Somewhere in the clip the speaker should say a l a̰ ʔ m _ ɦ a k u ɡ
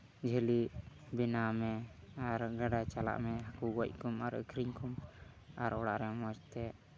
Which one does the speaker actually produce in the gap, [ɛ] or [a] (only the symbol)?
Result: ɛ